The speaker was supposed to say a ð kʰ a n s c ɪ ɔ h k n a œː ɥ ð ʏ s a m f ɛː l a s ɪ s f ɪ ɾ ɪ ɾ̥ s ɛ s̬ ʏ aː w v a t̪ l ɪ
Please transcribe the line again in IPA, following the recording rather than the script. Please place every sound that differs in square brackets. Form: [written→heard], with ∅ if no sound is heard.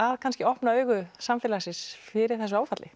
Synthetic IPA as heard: a ð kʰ a n s c ɪ ɔ h [k→p] n a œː ɥ [ð→ɣ] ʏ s a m f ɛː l a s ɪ s f ɪ ɾ ɪ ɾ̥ [s→θ] ɛ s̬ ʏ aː w [v→f] a t̪ l ɪ